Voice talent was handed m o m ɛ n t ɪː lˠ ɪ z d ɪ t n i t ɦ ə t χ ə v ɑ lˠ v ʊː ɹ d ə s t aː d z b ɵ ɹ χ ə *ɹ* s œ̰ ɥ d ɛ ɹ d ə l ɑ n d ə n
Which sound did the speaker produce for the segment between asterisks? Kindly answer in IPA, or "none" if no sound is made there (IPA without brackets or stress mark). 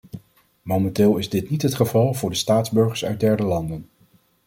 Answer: ɹ